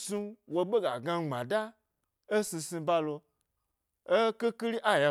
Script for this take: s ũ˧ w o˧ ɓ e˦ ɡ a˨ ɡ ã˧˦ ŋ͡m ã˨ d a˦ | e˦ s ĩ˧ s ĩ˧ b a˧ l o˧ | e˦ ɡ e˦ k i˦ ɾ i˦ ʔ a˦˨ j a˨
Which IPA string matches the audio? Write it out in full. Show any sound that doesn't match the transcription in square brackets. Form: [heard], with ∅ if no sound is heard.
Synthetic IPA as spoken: s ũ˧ w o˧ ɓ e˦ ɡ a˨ ɡ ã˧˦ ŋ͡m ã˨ d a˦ | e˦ s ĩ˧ s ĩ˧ b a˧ l o˧ | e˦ [k] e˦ k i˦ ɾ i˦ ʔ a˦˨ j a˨